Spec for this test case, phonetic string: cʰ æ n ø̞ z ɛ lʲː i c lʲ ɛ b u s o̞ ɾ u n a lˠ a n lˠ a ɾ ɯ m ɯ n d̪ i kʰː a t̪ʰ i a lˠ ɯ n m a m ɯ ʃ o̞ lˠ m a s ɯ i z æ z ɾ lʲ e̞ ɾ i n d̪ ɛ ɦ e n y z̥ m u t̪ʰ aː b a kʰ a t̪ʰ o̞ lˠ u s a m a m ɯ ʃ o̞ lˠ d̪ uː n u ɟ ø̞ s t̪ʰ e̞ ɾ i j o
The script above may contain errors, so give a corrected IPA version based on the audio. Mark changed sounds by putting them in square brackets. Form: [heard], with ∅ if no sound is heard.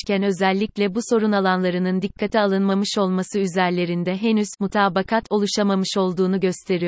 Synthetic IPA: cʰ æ n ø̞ z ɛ lʲː i c lʲ ɛ b u s o̞ ɾ u n a lˠ a n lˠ a ɾ ɯ [n] ɯ n d̪ i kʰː a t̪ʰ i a lˠ ɯ n m a m ɯ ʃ o̞ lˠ m a s ɯ [y] z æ [∅] ɾ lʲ e̞ ɾ i n d̪ ɛ ɦ e n y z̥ m u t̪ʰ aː b a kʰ a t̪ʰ o̞ lˠ u [ʃ] a m a m ɯ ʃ o̞ lˠ d̪ uː n u ɟ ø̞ s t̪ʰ e̞ ɾ i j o